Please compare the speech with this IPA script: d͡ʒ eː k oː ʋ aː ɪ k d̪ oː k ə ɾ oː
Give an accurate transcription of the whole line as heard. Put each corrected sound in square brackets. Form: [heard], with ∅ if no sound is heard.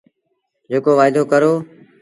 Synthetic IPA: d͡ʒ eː k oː ʋ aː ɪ [∅] d̪ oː k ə ɾ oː

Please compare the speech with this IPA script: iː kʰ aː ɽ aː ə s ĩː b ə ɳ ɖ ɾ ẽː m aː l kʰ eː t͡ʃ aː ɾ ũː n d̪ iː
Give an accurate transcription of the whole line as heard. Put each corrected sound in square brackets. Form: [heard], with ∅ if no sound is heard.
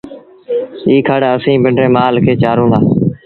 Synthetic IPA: iː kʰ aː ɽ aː ə s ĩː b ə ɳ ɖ ɾ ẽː m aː l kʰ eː t͡ʃ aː ɾ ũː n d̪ [aː]

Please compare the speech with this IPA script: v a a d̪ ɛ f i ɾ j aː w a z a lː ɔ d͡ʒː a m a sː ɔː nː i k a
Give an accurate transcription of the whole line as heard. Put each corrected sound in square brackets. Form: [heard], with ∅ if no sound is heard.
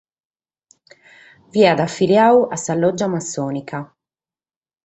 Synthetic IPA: v [i] a d̪ [a] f i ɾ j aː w a [s] a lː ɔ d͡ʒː a m a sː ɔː [n] i k a

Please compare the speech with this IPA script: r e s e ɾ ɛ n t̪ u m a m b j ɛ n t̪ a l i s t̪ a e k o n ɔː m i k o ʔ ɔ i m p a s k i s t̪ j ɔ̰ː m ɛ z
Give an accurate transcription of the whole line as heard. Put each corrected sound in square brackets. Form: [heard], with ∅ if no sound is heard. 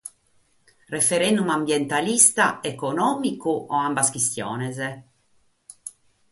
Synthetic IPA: r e [f] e ɾ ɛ n [d̪] u m a m b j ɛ n t̪ a l i s t̪ a e k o n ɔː m i k [u] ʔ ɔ [a] m [b] a s k i s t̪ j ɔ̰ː [n] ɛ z

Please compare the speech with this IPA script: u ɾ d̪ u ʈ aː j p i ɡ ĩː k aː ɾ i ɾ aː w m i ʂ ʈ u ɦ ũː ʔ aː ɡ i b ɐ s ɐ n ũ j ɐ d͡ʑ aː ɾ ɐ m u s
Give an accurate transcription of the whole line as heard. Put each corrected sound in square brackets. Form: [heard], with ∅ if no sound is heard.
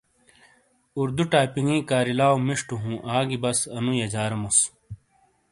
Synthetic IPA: u ɾ d̪ u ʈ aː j p i [ŋ] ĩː k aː ɾ i [l] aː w m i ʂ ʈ u ɦ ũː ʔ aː ɡ i b ɐ s ɐ n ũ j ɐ d͡ʑ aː ɾ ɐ m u s

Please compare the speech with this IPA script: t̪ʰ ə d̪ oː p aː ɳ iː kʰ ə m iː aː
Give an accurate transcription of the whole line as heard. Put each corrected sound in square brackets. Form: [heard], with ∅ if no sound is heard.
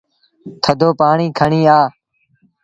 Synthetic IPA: t̪ʰ ə d̪ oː p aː ɳ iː kʰ ə [ɳ] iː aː

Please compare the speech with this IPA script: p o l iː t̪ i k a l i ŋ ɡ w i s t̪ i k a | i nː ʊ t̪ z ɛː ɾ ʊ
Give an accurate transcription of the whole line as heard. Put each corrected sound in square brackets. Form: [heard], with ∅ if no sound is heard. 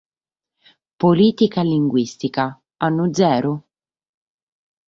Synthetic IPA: p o l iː t̪ i k a l i ŋ ɡ w i s t̪ i k a | [a] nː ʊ [d̪] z ɛː ɾ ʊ

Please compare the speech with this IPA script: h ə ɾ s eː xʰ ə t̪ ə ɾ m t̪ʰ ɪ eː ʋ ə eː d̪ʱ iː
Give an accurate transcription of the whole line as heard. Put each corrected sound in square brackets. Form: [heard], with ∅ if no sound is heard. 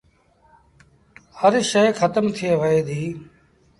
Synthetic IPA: h ə ɾ [ʃ] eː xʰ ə t̪ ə [∅] m t̪ʰ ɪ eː ʋ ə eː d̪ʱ iː

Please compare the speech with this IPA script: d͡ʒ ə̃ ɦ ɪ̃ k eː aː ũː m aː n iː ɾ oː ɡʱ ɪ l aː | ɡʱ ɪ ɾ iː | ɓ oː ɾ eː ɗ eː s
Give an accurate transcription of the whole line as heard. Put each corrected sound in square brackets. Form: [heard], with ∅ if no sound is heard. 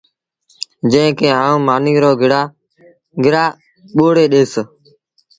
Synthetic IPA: d͡ʒ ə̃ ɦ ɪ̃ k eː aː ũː m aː n iː ɾ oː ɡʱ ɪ [ɽ] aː | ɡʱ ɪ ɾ [aː] | ɓ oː [ɽ] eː ɗ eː s

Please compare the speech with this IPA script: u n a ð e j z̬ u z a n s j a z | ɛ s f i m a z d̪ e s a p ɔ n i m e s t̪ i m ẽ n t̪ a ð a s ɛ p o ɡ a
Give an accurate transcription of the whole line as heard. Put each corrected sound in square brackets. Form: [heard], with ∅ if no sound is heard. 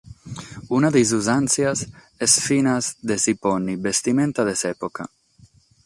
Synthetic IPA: u n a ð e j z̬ u z a n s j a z | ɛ s f i [n] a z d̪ e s [i] p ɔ n i [b] e s t̪ i m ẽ n t̪ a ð [e] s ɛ p o [k] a

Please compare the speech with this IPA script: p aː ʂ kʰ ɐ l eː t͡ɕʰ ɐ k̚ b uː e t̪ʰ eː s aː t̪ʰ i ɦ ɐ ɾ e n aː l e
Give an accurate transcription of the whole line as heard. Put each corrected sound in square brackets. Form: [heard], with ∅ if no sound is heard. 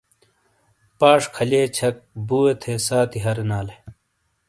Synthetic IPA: p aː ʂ kʰ ɐ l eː t͡ɕʰ ɐ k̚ b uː e t̪ʰ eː s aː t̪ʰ i ɦ ɐ ɾ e n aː l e

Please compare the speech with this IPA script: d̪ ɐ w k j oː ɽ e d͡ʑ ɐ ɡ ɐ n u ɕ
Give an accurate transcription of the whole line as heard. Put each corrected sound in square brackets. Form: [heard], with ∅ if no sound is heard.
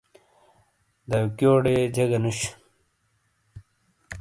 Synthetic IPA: d̪ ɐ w k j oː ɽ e d͡ʑ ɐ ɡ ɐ n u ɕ

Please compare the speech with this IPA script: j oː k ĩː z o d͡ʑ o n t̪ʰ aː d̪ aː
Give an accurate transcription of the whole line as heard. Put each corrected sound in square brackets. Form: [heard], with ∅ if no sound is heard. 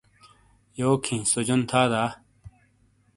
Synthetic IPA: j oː [kʰ] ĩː [s] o d͡ʑ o n t̪ʰ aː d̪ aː

